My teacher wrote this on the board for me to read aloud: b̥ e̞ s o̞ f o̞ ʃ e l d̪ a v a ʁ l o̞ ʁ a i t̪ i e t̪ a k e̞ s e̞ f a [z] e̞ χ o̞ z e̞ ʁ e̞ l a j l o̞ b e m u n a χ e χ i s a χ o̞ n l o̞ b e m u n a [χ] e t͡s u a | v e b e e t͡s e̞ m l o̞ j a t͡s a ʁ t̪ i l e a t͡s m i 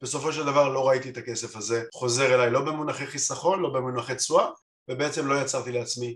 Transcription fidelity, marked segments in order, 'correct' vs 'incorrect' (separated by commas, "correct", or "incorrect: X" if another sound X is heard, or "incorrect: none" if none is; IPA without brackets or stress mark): correct, correct